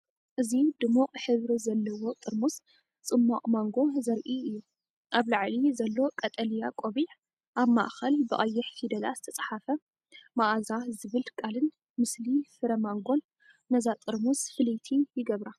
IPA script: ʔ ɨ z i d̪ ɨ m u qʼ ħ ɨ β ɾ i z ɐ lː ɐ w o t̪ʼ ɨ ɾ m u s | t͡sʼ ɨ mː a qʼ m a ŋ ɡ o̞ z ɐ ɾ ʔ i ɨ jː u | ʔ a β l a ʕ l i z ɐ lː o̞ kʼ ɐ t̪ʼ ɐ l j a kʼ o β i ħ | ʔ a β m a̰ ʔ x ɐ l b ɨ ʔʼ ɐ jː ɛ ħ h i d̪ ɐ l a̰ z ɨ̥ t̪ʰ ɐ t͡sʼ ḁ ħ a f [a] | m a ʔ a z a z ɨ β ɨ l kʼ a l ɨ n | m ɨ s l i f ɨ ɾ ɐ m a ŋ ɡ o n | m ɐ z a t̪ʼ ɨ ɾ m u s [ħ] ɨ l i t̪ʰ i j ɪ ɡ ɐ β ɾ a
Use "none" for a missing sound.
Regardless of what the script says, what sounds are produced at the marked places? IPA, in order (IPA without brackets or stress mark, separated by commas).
ɐ, f